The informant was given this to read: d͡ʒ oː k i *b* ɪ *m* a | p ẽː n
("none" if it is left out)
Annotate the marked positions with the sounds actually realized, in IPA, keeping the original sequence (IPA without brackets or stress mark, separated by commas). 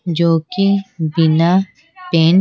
b, n